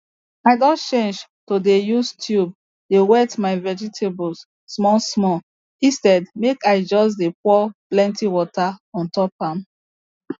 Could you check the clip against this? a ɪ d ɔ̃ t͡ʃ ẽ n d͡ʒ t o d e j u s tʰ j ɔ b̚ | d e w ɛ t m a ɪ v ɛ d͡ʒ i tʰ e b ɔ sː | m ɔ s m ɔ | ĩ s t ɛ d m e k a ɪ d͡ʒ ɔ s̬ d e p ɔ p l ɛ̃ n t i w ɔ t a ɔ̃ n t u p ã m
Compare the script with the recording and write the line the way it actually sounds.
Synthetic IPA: a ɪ d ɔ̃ t͡ʃ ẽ n d͡ʒ t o d e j u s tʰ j u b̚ | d e w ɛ t m a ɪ v ɛ d͡ʒ i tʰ e b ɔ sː | m ɔ s m ɔ | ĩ s t ɛ d m e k a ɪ d͡ʒ ɔ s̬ d e p ɔ p l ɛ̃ n t i w ɔ t a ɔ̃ n t ɔ p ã m